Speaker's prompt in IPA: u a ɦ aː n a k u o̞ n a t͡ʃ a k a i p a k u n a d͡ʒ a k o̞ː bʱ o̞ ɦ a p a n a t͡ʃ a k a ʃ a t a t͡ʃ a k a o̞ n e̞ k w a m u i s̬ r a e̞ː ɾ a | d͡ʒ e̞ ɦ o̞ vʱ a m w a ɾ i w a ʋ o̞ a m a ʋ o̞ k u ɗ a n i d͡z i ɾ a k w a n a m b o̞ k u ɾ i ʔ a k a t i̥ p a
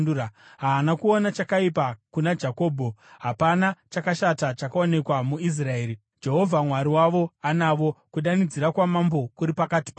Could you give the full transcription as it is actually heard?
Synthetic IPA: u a ɦ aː n a k u o̞ n a t͡ʃ a k a i p a k u n a d͡ʒ a k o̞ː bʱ o̞ ɦ a p a n a t͡ʃ a k a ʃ a t a t͡ʃ a k a o̞ n e̞ k w a m u i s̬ r a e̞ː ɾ i | d͡ʒ e̞ ɦ o̞ vʱ a m w a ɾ i w a ʋ o̞ a n a ʋ o̞ k u ɗ a n i d͡z i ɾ a k w a m a m b o̞ k u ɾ i p a k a t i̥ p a